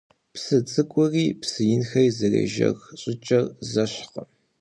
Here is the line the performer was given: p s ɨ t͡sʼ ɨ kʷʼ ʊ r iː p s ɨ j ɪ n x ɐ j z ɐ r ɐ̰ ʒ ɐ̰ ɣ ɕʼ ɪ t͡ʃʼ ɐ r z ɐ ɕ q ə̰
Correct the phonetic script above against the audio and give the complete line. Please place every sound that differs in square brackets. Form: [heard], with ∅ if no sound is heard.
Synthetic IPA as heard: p s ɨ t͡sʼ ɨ kʷʼ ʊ r iː p s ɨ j ɪ n x ɐ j z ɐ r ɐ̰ ʒ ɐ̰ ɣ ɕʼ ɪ t͡ʃʼ ɐ r z ɐ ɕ q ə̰